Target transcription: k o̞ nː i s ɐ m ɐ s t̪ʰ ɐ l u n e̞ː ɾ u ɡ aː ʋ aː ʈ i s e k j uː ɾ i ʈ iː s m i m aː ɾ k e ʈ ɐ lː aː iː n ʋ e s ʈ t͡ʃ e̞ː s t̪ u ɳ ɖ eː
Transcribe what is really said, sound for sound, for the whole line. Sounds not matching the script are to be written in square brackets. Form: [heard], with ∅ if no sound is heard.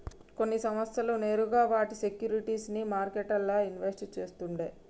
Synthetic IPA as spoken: k o̞ nː i s ɐ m ɐ s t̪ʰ ɐ l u n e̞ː ɾ u ɡ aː ʋ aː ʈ i s e k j uː ɾ i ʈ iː s [n] i m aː ɾ k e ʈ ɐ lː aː [i] n ʋ e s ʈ t͡ʃ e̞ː s t̪ u ɳ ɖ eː